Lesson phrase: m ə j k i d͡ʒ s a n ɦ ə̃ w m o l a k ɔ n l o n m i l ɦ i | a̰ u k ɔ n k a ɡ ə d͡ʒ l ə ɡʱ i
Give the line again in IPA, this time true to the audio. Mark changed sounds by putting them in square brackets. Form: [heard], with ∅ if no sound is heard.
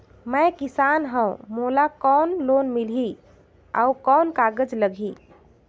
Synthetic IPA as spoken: m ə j k i [∅] s a n ɦ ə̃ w m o l a k ɔ n l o n m i l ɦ i | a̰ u k ɔ n k a ɡ ə d͡ʒ l ə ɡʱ i